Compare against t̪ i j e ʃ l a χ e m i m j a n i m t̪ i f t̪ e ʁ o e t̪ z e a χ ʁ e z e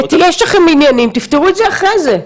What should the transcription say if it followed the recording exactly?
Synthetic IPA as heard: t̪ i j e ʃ l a χ e m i n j a n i m t̪ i f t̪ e ʁ u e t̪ z e a χ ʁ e z e